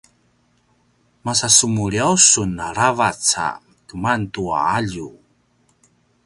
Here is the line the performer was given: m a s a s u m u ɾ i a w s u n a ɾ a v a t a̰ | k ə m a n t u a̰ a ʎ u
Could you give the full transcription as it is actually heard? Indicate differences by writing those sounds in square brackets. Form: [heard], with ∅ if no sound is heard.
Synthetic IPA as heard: m a s a s u m u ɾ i a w s u n a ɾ a v a [t͡s] a̰ | k ə m a n t u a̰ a ʎ u